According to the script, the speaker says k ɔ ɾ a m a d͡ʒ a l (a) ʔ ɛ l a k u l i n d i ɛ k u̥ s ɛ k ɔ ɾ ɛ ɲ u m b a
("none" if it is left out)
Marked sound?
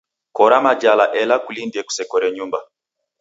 a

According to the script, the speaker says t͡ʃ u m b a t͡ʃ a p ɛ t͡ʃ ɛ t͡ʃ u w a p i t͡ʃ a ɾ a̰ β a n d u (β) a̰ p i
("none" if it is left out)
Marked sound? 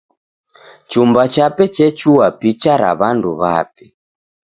β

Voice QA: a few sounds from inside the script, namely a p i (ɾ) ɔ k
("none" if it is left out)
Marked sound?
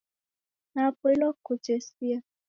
l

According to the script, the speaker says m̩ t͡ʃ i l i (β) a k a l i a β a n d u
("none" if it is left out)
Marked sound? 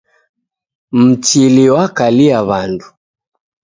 w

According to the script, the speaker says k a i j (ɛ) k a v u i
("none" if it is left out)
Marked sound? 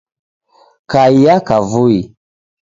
a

